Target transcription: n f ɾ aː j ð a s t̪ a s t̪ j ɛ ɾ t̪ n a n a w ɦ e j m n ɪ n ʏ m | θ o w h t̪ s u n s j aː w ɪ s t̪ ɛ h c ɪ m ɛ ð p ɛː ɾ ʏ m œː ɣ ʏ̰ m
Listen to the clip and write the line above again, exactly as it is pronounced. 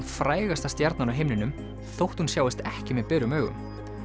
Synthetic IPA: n f ɾ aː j ɣ a s t̪ a s t̪ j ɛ ɾ t̪ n a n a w ɦ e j m n ɪ n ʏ m | θ o w h t̪ h u n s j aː w ɪ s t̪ ɛ h c ɪ m ɛ ð p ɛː ɾ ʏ m œː ɣ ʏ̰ m